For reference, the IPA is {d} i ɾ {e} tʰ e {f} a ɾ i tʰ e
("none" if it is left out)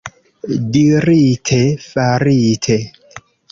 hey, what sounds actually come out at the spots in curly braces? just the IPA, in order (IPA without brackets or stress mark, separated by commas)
d, i, f